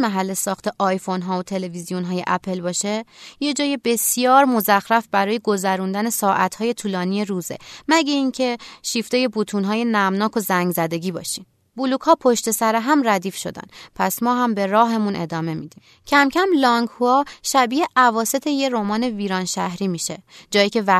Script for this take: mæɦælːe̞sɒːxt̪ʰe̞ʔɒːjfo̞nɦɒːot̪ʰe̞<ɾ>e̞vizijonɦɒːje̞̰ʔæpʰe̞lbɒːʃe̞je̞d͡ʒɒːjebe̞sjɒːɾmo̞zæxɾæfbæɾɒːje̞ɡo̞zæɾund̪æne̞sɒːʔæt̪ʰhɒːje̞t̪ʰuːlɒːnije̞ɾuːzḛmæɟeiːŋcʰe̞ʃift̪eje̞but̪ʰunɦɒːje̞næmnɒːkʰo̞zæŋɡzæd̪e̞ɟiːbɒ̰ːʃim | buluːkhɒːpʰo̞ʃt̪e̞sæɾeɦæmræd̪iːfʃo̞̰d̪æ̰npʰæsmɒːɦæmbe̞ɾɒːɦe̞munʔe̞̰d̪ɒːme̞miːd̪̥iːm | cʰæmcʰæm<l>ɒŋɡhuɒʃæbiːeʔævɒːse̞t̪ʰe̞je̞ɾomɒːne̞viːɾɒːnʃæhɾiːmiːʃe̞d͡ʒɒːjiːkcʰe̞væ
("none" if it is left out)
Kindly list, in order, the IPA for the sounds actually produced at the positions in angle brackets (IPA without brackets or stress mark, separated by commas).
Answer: l, l